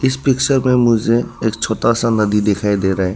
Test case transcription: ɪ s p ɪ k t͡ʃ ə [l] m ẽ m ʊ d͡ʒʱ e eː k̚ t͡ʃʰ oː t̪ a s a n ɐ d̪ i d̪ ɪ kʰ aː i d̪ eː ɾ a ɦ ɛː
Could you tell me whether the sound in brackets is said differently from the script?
yes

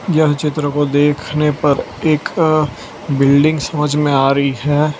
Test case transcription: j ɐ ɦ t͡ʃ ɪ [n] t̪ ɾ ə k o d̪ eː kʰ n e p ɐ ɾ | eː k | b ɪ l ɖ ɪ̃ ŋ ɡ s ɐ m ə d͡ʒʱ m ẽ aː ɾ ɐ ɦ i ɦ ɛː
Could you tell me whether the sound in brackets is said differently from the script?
yes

